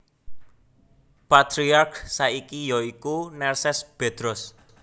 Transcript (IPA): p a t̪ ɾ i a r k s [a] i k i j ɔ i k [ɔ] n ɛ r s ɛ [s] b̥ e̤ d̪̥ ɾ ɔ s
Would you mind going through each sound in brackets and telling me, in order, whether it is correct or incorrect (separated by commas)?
correct, incorrect, correct